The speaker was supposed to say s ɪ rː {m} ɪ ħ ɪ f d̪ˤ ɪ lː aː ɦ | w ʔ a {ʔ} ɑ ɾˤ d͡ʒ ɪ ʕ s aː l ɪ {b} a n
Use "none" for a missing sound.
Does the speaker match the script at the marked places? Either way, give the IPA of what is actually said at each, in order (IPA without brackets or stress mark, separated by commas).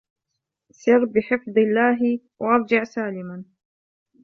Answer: b, ʔ, m